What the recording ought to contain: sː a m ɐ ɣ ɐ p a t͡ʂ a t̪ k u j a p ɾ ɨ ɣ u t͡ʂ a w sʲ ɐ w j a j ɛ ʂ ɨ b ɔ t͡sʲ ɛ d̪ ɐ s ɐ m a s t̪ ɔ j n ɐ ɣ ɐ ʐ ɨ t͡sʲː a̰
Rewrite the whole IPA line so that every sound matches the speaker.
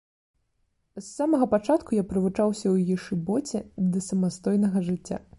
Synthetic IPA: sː a m ɐ ɣ ɐ p a t͡ʂ a t̪ k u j a p ɾ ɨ v u t͡ʂ a w sʲ ɐ w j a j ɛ ʂ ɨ b ɔ t͡sʲ ɛ d̪ ɐ s ɐ m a s t̪ ɔ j n ɐ ɣ ɐ ʐ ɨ t͡sʲː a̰